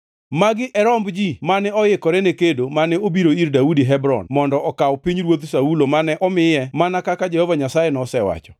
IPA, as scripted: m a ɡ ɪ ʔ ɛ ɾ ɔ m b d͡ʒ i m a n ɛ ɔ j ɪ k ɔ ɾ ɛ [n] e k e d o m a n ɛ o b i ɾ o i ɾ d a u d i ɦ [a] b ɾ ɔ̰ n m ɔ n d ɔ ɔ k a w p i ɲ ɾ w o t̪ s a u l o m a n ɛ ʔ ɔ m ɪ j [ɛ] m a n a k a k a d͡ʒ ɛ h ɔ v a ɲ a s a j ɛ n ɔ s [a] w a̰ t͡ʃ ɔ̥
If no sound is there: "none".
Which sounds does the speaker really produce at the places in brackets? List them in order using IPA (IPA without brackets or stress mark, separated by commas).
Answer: n, ɛ, ɛ, ɛ